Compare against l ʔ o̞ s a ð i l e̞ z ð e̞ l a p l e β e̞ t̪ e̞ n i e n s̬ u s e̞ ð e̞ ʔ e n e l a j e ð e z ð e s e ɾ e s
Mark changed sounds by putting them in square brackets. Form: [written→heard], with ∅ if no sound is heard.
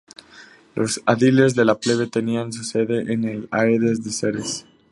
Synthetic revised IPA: l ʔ o̞ s a ð i l e̞ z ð e̞ l a p l e β e̞ t̪ e̞ n i [e→a] n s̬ u s e̞ ð e̞ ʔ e n e l a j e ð e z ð e s e ɾ e s